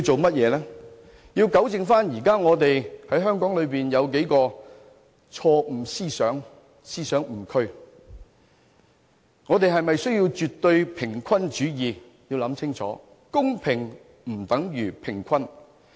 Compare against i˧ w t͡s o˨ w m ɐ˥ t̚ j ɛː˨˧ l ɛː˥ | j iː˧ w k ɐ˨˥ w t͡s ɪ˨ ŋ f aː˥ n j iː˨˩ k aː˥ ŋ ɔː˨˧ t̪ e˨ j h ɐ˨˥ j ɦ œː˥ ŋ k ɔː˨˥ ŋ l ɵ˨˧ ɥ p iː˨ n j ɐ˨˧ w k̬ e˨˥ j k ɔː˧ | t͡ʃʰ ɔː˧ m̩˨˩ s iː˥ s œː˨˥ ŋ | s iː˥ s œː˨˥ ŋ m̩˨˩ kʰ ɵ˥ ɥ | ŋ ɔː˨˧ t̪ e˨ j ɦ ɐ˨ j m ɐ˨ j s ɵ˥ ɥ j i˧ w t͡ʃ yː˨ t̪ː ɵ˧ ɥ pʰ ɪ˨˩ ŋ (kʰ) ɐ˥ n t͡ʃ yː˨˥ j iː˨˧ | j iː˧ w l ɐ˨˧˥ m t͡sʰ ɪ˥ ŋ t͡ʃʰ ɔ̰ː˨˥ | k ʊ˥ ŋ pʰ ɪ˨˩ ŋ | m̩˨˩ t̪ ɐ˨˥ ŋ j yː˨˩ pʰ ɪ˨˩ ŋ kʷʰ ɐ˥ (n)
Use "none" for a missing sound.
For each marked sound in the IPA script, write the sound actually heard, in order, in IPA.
kʰ, n

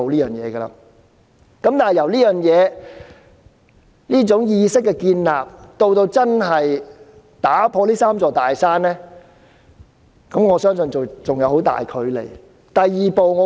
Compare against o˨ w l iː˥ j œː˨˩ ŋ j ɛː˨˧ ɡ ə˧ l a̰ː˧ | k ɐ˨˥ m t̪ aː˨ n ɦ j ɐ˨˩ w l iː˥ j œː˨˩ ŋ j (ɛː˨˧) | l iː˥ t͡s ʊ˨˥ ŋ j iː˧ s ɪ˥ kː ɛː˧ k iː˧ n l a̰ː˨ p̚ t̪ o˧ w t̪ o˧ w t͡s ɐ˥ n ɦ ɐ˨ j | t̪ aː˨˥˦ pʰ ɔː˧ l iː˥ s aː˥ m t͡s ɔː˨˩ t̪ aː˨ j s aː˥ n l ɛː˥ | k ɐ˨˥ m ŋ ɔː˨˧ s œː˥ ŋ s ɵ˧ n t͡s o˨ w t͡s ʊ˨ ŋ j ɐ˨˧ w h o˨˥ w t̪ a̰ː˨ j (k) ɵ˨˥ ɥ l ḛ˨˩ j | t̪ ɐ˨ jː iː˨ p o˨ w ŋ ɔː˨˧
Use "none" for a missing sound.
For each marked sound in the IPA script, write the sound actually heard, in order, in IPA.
ɛː˨˧, kʰ

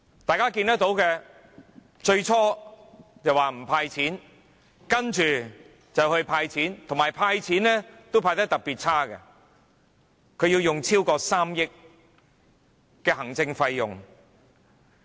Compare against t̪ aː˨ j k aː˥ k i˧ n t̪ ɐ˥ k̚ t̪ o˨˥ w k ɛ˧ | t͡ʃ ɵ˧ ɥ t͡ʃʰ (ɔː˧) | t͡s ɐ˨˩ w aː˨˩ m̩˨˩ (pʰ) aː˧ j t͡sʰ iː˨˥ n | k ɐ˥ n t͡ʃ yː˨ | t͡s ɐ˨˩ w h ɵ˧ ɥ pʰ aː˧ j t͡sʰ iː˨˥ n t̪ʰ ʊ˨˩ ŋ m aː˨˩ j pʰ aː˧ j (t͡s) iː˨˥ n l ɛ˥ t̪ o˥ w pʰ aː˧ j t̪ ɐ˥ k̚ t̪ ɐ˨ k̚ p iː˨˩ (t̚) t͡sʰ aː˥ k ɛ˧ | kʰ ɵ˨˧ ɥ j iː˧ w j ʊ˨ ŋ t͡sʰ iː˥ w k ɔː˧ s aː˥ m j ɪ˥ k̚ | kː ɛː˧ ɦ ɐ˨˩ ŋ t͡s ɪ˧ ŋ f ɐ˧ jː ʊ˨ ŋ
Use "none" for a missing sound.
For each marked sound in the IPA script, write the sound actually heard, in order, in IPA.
ɔː˥, pʰ, t͡sʰ, t̚

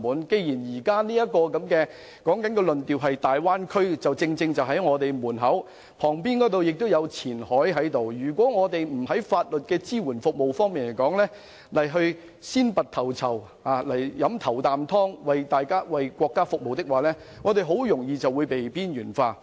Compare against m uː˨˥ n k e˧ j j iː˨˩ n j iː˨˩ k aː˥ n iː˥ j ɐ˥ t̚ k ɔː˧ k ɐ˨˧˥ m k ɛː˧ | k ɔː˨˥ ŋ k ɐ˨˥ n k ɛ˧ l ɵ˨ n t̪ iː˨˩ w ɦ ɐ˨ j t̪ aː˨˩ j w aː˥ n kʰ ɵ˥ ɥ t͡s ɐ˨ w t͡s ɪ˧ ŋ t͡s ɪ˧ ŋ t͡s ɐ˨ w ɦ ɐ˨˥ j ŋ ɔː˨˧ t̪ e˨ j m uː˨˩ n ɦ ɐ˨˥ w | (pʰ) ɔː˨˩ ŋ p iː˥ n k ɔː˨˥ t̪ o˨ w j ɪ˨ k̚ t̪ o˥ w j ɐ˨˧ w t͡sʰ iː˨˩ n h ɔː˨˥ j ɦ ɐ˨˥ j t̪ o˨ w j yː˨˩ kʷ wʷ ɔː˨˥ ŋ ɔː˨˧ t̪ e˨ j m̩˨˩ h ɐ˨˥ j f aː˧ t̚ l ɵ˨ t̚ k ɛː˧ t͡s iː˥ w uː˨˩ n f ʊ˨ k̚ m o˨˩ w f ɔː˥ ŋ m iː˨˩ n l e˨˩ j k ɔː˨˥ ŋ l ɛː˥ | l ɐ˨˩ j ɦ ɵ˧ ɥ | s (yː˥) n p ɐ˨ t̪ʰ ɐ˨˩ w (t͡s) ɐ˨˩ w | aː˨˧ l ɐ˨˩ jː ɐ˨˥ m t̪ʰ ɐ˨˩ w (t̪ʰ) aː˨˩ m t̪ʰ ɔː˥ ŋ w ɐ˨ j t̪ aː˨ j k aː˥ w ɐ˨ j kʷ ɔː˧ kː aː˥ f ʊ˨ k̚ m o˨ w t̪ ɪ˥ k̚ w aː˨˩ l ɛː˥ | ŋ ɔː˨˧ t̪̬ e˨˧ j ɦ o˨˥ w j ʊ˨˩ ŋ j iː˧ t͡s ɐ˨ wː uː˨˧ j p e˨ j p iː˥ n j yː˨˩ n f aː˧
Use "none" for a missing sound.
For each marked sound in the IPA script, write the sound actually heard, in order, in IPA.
pʰ, iː˥, t͡sʰ, t̪

